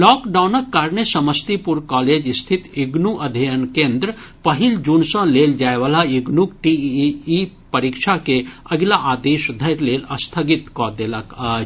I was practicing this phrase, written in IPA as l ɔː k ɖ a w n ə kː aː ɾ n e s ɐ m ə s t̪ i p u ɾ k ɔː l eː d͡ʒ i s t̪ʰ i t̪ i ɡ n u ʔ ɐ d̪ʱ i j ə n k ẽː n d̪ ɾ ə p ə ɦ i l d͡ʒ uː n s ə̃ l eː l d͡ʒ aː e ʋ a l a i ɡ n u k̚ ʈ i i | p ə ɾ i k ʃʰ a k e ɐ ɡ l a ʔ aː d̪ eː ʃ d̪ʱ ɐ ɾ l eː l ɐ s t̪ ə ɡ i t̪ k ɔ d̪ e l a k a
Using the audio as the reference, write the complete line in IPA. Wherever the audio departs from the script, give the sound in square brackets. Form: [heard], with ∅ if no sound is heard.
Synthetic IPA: l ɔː k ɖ a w n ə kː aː ɾ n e s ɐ m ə s t̪ i p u ɾ k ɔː l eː d͡ʒ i s t̪ʰ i t̪ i ɡ n u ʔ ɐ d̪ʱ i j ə n k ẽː n d̪ ɾ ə p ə ɦ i l d͡ʒ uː n s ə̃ l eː l d͡ʒ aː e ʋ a l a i ɡ n u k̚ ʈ i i | p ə ɾ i k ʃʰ a k e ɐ ɡ l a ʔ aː d̪ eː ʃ d̪ʱ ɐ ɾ l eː l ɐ s [t̪ʰ] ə ɡ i t̪ k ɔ d̪ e l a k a